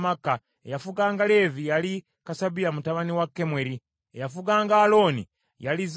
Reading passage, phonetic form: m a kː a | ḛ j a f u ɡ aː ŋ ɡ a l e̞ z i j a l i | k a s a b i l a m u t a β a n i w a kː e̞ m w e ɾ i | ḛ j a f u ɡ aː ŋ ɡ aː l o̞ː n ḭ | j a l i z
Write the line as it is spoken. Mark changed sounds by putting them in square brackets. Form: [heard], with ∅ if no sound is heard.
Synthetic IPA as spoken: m a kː a | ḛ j a f u ɡ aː ŋ ɡ a l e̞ [v] i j a l i | k a s a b i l a m u t a β a n i w a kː e̞ m w e ɾ i | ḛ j a f u ɡ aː ŋ ɡ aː l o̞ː n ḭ | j a l i z